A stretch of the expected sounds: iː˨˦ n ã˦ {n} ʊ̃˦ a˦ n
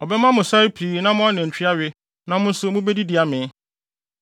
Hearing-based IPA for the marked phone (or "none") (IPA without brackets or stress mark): m